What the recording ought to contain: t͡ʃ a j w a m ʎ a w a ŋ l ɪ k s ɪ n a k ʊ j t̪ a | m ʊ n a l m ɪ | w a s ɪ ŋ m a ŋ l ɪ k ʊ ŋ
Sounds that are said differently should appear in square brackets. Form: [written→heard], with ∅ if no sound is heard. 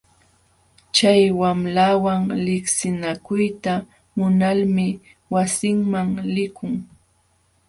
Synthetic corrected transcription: t͡ʃ a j w a m [ʎ→l] a w a ŋ l ɪ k s ɪ n a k ʊ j t̪ a | m ʊ n a l m ɪ | w a s ɪ ŋ m a ŋ l ɪ k ʊ ŋ

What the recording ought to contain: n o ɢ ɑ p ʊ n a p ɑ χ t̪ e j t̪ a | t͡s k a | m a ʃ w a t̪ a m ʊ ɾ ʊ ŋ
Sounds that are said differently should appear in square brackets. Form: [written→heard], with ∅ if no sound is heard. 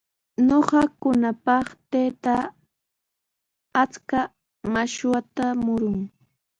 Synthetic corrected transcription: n o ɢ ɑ [p→k] ʊ n a p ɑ χ t̪ e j t̪ a | t͡s k a | m a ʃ w a t̪ a m ʊ ɾ ʊ ŋ

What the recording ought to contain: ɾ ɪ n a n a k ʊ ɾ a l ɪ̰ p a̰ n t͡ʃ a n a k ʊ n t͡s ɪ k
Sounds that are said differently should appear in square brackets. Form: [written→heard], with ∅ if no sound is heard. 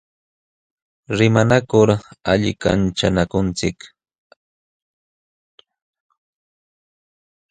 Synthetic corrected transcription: ɾ ɪ [n→m] a n a k ʊ ɾ a [l→ʎ] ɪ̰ [p→k] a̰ n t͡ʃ a n a k ʊ n t͡s ɪ k

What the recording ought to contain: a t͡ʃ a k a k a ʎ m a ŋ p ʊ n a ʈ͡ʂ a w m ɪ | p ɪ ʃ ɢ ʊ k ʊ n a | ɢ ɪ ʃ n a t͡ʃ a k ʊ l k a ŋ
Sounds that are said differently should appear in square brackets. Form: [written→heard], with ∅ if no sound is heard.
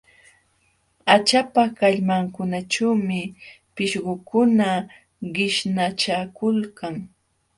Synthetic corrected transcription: a t͡ʃ a [k→p] a k a ʎ m a ŋ [p→k] ʊ n a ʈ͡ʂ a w m ɪ | p ɪ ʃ ɢ ʊ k ʊ n a | ɢ ɪ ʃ n a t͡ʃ a k ʊ l k a ŋ

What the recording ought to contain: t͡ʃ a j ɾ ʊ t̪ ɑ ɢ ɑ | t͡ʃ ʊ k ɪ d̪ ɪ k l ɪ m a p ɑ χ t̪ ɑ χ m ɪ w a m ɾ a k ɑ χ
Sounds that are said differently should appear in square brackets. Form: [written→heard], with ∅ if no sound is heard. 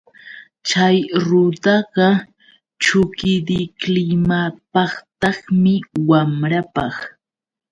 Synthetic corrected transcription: t͡ʃ a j ɾ ʊ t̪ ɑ ɢ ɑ | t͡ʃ ʊ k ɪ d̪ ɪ k l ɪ m a p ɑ χ t̪ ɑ χ m ɪ w a m ɾ a [k→p] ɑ χ

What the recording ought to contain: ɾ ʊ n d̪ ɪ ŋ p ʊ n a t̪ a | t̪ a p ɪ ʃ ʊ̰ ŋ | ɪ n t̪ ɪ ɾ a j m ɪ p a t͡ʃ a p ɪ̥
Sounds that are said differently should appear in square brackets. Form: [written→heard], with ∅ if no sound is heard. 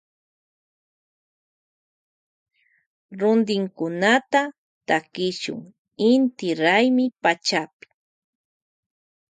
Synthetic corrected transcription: ɾ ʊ n d̪ ɪ ŋ [p→k] ʊ n a t̪ a | t̪ a [p→k] ɪ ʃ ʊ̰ ŋ | ɪ n t̪ ɪ ɾ a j m ɪ p a t͡ʃ a p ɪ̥

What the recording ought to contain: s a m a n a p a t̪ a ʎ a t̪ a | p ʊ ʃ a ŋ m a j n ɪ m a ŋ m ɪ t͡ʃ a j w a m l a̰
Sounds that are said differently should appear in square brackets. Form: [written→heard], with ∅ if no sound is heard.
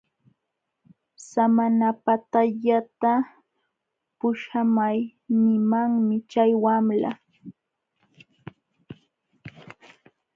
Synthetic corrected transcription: s a m a n a p a t̪ a ʎ a t̪ a | p ʊ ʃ a [ŋ→∅] m a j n ɪ m a ŋ m ɪ t͡ʃ a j w a m l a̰

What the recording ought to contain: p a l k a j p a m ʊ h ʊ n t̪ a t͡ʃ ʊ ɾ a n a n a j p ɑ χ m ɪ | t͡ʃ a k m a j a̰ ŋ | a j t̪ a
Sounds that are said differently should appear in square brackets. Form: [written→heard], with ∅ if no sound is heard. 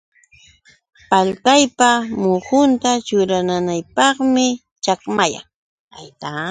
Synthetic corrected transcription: p a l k a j p a m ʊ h ʊ n t̪ a t͡ʃ ʊ ɾ a n a n a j p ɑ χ m ɪ | t͡ʃ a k m a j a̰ ŋ | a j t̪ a

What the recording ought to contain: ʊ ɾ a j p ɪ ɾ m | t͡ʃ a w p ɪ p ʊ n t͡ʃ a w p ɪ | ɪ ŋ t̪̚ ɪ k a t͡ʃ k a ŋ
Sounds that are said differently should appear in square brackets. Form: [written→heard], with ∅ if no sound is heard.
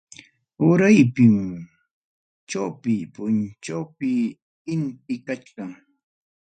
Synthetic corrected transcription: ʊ ɾ a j p ɪ [ɾ→∅] m | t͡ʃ a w p ɪ p ʊ n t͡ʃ a w p ɪ | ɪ [ŋ→n] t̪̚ ɪ k a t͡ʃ k a ŋ

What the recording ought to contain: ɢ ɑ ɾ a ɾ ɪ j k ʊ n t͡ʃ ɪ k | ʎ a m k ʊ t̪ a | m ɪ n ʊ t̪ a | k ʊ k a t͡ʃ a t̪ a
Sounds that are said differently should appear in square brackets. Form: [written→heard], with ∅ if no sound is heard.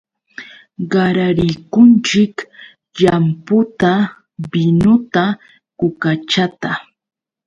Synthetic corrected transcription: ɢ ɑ ɾ a ɾ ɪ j k ʊ n t͡ʃ ɪ k | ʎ a m [k→p] ʊ t̪ a | [m→b] ɪ n ʊ t̪ a | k ʊ k a t͡ʃ a t̪ a

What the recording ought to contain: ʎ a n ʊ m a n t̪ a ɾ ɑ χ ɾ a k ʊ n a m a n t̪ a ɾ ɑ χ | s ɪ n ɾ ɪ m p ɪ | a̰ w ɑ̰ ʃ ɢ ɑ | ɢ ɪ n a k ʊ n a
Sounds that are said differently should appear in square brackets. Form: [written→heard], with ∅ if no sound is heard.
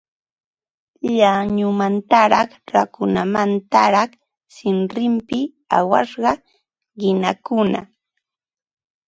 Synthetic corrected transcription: ʎ a [n→ɲ] ʊ m a n t̪ a ɾ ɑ χ ɾ a k ʊ n a m a n t̪ a ɾ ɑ χ | s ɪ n ɾ ɪ m p ɪ | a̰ w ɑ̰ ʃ ɢ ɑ | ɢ ɪ n a k ʊ n a

